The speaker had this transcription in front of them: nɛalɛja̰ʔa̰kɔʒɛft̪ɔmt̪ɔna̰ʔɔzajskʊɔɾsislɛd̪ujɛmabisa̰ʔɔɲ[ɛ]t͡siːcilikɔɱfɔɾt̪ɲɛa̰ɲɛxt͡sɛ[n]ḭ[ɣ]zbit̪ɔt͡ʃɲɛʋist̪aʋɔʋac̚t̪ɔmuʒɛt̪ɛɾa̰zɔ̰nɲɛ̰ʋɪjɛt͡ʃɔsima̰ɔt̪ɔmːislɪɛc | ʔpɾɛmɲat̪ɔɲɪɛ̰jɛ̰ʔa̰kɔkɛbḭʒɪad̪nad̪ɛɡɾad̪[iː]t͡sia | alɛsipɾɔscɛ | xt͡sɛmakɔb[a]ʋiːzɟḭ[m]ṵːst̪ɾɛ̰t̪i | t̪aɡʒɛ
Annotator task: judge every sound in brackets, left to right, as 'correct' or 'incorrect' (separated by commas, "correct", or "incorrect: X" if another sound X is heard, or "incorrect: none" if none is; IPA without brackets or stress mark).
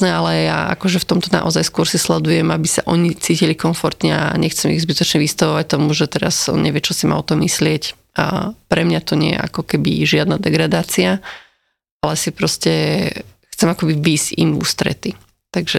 incorrect: i, incorrect: m, correct, incorrect: aː, incorrect: i, correct